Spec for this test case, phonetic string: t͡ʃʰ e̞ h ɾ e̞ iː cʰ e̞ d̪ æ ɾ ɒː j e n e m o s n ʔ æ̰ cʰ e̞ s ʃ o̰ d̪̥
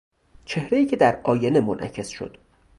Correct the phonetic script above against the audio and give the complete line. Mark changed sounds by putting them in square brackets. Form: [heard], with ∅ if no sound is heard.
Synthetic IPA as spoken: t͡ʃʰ e̞ h ɾ e̞ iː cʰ e̞ d̪ æ ɾ ɒː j e n e m o [∅] n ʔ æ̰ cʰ e̞ s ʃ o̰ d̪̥